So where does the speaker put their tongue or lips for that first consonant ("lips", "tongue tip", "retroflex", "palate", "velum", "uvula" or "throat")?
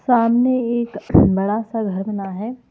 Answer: tongue tip